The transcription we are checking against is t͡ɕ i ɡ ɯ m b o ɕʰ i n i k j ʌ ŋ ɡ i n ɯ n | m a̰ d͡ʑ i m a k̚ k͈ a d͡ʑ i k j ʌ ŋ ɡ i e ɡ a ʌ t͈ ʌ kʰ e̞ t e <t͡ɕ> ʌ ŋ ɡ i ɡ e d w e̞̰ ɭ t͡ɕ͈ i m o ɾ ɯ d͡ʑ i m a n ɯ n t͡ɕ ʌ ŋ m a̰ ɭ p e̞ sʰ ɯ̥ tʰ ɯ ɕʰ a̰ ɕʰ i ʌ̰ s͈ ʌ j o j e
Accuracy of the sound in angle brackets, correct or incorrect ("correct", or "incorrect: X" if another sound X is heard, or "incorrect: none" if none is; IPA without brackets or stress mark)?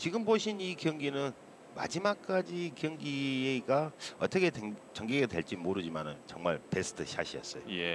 correct